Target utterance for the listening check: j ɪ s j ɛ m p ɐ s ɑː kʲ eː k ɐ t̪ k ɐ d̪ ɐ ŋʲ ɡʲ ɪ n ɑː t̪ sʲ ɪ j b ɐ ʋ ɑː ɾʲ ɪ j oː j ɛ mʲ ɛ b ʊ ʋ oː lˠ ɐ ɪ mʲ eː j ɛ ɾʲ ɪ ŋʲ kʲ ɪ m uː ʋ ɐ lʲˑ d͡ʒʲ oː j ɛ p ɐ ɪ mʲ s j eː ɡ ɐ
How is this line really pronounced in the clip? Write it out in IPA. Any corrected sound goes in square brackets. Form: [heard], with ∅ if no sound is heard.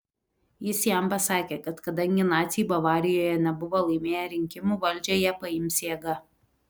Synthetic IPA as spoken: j ɪ s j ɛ m p ɐ s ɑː kʲ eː k ɐ t̪ k ɐ d̪ ɐ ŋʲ ɡʲ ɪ n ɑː t̪ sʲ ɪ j b ɐ ʋ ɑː ɾʲ ɪ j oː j ɛ [nʲ] ɛ b ʊ ʋ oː lˠ ɐ ɪ mʲ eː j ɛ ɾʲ ɪ ŋʲ kʲ ɪ m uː ʋ ɐ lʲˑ d͡ʒʲ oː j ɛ p ɐ ɪ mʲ s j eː ɡ ɐ